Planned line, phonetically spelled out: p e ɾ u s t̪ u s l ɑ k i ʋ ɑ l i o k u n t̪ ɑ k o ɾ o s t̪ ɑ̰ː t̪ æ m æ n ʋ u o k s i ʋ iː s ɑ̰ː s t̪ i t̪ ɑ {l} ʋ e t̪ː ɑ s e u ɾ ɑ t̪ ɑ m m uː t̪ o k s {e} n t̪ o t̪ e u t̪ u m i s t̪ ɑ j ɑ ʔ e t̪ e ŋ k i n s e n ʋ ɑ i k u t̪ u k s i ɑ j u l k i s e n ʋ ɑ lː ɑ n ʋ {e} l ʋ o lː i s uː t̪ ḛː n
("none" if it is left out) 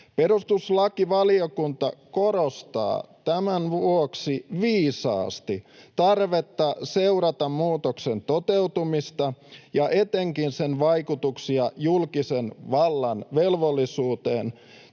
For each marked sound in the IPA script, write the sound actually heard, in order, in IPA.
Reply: r, e, e

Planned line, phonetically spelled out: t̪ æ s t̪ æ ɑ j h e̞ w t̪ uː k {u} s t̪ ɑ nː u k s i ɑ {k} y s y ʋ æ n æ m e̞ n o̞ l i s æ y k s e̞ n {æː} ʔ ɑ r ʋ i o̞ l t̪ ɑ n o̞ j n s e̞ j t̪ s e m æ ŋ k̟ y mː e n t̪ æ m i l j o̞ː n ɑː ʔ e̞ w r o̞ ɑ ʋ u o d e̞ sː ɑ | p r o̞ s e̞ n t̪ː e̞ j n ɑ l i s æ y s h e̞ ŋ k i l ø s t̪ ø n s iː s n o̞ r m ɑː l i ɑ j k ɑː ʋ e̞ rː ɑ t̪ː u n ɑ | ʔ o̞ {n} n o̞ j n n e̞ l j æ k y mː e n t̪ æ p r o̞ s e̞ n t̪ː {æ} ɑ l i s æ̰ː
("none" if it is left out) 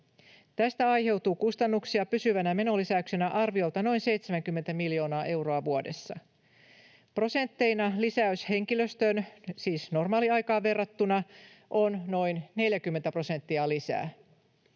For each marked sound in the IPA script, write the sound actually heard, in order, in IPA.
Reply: u, p, æ, n, i

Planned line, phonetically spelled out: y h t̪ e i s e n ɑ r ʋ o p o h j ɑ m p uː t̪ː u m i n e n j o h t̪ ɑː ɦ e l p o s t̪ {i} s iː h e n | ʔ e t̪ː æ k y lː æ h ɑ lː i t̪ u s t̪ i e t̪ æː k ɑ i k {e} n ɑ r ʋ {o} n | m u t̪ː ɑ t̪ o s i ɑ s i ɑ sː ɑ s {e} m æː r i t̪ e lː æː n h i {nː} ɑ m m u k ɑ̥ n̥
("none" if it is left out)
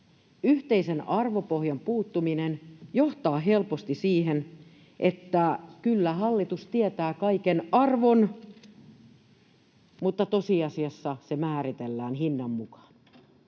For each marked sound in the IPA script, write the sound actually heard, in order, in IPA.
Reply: i, e, o, e, nː

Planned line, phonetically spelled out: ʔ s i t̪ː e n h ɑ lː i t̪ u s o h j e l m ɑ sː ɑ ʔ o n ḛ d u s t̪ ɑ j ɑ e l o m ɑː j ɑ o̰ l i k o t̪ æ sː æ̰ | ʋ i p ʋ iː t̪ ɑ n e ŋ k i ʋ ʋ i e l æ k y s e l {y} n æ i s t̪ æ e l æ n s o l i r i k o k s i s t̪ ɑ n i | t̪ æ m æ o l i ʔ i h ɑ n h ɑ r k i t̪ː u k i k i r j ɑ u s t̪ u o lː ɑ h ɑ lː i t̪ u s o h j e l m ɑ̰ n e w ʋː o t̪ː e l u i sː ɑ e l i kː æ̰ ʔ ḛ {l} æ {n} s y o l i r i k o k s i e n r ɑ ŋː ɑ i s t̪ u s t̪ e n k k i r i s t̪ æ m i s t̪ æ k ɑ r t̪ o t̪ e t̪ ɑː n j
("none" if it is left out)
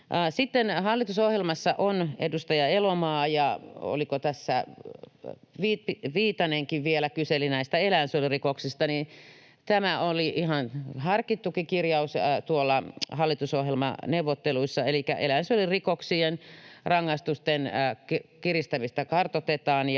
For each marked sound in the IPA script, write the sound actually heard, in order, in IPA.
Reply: i, l, n

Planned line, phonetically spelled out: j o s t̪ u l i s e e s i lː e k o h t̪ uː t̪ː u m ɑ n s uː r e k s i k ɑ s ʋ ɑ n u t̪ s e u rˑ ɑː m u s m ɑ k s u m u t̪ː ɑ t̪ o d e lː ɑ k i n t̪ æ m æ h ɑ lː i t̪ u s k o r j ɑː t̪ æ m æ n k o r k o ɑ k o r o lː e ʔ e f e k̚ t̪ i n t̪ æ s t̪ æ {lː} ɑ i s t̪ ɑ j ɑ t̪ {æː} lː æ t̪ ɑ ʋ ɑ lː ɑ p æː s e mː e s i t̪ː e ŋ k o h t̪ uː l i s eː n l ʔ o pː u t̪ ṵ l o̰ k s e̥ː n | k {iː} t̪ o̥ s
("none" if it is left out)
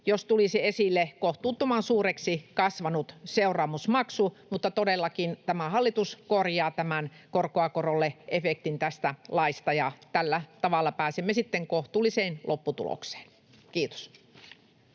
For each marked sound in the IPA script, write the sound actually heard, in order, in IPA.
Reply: l, æ, iː

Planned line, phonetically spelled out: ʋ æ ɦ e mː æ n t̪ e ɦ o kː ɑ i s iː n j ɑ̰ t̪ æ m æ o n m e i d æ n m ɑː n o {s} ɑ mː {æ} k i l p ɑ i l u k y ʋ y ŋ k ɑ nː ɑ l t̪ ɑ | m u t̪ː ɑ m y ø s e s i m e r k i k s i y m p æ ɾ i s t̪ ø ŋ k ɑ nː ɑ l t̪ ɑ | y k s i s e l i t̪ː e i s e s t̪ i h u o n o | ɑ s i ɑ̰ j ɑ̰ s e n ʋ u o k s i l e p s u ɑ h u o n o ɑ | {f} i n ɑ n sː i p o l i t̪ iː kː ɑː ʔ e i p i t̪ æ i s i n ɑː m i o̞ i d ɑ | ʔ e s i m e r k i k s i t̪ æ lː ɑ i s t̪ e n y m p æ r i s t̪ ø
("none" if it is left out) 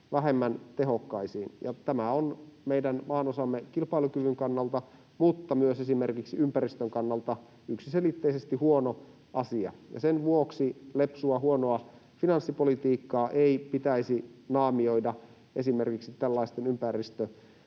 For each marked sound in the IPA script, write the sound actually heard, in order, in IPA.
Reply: s, e, f

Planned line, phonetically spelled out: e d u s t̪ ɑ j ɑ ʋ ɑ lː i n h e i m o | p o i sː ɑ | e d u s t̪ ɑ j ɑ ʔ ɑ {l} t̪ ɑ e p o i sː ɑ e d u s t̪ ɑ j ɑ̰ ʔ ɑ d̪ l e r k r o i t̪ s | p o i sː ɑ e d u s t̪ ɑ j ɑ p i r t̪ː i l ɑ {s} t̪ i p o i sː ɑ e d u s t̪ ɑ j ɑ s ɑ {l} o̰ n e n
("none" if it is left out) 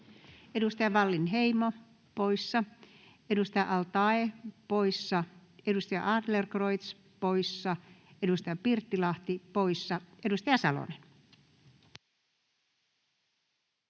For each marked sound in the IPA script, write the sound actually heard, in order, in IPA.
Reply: l, h, l

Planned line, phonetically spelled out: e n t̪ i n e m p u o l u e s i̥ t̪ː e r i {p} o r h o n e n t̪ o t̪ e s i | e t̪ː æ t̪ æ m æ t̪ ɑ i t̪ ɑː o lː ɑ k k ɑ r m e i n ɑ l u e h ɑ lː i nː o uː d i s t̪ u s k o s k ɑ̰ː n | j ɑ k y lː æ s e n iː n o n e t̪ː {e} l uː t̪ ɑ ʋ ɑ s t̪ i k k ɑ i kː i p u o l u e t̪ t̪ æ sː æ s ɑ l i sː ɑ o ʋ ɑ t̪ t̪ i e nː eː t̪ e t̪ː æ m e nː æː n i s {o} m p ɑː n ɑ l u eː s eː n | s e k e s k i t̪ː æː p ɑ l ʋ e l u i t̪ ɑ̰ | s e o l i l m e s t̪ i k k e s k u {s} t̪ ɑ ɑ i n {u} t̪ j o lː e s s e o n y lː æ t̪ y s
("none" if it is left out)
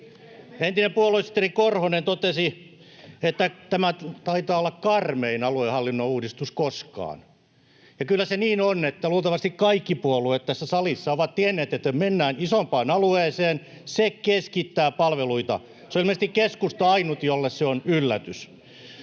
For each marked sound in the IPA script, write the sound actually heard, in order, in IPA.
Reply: k, æ, o, s, u

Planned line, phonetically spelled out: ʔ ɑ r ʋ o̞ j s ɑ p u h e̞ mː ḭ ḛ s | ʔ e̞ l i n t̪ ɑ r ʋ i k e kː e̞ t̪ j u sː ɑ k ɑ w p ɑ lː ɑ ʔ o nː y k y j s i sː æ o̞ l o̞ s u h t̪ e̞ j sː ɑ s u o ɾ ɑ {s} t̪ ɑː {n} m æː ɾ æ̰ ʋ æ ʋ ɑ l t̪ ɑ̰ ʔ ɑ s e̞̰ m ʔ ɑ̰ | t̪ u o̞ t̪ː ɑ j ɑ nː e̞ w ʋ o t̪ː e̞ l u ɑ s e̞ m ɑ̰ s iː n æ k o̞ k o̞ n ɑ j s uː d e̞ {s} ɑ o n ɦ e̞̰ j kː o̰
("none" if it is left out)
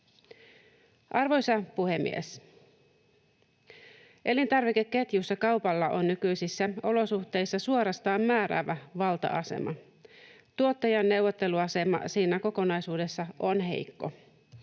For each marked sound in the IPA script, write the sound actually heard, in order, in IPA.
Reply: s, m, sː

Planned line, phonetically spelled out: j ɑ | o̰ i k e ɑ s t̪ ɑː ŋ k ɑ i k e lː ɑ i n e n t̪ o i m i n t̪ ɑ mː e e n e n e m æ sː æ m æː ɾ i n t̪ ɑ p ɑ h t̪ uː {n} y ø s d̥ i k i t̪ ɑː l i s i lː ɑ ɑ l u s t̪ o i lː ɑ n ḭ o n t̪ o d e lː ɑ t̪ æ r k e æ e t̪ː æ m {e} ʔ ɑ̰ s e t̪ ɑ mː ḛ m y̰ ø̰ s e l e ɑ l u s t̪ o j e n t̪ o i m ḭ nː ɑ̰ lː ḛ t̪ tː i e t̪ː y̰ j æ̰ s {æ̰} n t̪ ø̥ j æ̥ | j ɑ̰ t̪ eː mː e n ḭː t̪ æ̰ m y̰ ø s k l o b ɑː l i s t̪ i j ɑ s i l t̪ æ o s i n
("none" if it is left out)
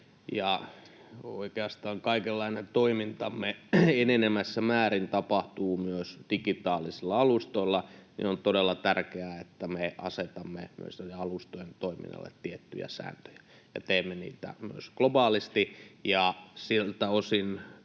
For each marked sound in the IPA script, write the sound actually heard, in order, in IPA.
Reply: m, e, æ̰ː

